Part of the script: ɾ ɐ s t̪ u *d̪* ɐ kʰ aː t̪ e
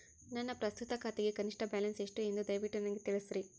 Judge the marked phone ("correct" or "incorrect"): incorrect